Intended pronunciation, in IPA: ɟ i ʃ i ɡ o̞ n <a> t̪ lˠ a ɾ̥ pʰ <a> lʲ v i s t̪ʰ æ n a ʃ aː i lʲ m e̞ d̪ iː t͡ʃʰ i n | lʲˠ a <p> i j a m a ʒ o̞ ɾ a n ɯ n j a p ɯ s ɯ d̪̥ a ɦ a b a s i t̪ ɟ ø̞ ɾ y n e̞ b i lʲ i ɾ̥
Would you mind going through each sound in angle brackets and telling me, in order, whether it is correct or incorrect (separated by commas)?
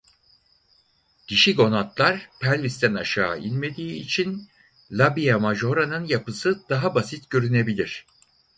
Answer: correct, incorrect, incorrect